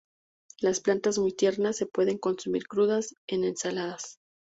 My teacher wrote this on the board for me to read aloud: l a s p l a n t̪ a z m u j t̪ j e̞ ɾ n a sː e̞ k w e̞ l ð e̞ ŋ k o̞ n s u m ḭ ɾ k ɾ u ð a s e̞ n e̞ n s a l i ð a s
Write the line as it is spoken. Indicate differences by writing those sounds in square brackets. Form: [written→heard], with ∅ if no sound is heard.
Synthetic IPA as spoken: l a s p l a n t̪ a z m u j t̪ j e̞ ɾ n a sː e̞ [k→p] w e̞ [l→∅] ð e̞ ŋ k o̞ n s u m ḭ ɾ k ɾ u ð a s e̞ n e̞ n s a l [i→a] ð a s